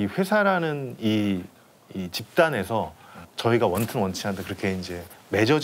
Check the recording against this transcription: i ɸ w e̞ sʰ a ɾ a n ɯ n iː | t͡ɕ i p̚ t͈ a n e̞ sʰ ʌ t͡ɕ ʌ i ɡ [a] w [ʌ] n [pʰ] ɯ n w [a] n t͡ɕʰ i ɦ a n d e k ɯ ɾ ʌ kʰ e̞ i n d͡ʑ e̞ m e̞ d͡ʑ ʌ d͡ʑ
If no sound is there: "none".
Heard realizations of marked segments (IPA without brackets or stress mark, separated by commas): a, ʌ, tʰ, ʌ